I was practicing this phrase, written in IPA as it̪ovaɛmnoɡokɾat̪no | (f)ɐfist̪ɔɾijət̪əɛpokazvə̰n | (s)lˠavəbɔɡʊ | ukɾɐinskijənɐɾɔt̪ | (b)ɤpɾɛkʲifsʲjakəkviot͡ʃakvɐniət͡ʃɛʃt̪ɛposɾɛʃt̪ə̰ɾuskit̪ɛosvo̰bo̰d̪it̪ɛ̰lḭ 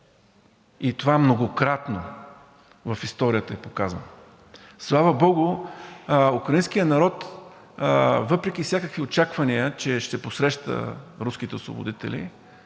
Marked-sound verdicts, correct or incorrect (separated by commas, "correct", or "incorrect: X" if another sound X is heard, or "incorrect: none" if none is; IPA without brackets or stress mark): incorrect: v, correct, incorrect: v